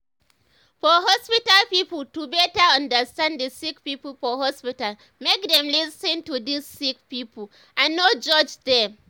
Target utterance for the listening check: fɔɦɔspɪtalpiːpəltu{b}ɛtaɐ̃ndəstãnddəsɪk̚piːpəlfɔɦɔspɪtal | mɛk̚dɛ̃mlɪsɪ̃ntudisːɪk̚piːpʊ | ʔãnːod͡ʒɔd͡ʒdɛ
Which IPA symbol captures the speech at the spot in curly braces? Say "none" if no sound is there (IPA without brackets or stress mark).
b